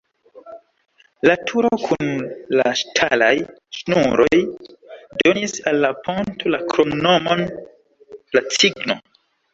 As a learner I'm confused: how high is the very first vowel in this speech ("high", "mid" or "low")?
low